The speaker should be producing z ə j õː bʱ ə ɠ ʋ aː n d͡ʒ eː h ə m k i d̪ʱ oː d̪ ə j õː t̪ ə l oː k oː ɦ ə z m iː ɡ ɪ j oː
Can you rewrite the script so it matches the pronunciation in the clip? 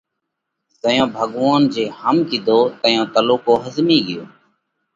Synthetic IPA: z ə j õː bʱ ə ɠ ʋ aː n d͡ʒ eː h ə m k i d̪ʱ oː t̪ ə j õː t̪ ə l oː k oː ɦ ə z m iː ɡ ɪ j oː